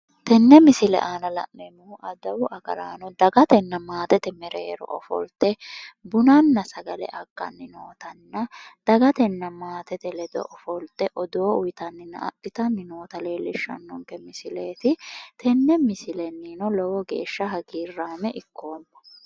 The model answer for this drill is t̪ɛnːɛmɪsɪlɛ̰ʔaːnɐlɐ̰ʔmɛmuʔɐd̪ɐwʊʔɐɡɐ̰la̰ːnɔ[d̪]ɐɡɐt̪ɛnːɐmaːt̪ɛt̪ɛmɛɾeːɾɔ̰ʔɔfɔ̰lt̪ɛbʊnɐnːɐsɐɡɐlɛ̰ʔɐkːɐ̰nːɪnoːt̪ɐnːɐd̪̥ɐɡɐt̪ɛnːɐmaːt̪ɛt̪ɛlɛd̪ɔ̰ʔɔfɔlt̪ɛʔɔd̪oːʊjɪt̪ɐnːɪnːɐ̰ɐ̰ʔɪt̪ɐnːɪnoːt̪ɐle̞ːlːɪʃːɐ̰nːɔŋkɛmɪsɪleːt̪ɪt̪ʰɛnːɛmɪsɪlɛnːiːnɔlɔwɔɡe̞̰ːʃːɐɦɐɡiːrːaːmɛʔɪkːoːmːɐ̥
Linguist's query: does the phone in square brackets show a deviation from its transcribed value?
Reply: no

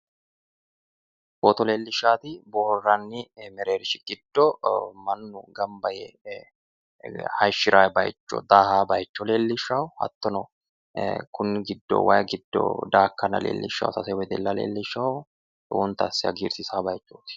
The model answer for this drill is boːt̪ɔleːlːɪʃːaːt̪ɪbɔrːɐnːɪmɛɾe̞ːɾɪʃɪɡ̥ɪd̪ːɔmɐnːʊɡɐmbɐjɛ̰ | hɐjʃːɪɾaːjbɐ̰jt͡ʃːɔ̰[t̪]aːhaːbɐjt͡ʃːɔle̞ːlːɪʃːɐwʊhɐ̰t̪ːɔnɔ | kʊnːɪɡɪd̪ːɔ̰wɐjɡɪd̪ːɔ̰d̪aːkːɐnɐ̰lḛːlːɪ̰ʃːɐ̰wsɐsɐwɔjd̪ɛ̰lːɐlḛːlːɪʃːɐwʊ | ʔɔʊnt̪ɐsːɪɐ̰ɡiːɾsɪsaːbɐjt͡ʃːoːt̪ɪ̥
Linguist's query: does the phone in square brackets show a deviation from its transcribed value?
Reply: yes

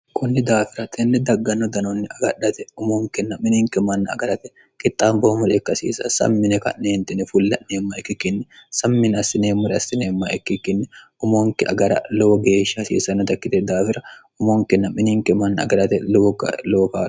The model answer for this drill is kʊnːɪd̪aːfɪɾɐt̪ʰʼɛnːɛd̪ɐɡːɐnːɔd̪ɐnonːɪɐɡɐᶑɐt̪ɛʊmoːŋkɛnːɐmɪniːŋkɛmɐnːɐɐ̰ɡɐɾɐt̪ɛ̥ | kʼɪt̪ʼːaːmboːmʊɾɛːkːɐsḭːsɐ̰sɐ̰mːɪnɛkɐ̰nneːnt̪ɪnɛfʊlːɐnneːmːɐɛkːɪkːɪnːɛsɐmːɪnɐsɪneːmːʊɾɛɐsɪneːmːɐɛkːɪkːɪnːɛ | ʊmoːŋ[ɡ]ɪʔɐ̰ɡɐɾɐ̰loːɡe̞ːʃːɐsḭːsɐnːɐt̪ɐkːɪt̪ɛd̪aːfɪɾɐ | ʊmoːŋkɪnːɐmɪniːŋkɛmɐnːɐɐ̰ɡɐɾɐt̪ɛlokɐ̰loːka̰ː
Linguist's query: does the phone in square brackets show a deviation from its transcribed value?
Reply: yes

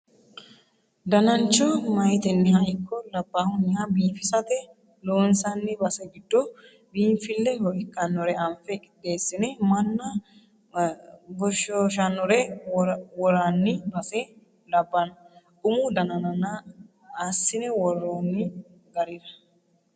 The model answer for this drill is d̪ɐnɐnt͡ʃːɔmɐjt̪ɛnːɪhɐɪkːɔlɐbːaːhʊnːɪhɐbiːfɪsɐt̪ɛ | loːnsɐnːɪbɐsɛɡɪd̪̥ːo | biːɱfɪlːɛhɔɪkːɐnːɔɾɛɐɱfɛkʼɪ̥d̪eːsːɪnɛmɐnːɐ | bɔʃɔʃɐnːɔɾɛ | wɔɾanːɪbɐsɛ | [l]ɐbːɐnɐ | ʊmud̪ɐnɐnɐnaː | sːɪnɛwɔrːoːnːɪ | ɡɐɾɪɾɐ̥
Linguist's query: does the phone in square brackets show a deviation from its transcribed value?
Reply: no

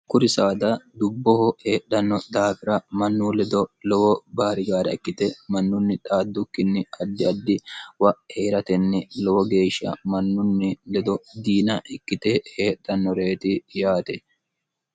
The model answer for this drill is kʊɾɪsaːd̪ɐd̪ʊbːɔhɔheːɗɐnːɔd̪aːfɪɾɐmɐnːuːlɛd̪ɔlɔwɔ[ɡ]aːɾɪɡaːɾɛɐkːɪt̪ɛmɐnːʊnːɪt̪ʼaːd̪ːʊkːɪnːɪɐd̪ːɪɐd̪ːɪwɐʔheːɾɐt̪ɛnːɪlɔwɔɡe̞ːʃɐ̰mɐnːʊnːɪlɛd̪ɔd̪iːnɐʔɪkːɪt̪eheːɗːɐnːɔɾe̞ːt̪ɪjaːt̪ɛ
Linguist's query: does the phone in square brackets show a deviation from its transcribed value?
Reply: yes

